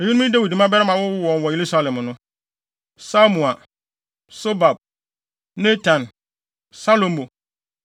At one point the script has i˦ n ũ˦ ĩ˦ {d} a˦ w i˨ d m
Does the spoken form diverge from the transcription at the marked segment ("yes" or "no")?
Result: no